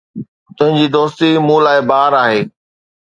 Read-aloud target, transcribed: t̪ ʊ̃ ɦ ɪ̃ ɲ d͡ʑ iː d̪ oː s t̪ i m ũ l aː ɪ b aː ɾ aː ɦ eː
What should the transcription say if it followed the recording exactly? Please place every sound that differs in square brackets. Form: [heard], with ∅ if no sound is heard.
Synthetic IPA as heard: t̪ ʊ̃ ɦ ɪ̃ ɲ d͡ʑ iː d̪ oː s t̪ i m ũ l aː ɪ b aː ɾ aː ɦ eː